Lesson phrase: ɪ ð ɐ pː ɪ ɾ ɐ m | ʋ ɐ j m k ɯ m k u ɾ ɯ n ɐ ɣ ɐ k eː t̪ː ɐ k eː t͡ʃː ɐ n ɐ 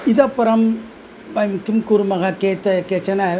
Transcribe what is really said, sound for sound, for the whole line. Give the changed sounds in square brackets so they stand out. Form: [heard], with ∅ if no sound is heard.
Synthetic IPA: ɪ ð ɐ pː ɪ ɾ ɐ m | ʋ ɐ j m k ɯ m k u ɾ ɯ [m] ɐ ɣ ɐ k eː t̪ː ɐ k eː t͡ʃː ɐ n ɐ